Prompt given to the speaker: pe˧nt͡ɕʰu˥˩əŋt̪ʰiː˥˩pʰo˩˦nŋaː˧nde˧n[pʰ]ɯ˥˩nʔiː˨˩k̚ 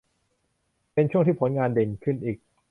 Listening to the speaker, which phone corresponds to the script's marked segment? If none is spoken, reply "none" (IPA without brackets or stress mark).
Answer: kʰ